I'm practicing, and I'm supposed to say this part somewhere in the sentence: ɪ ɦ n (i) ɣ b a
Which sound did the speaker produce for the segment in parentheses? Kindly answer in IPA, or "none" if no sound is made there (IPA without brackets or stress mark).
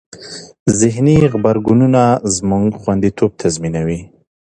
i